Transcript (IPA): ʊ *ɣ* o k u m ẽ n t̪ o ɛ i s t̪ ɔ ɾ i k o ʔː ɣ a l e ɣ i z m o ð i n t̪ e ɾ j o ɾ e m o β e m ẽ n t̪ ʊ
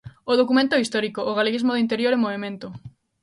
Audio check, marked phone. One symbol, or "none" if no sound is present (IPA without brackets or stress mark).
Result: ð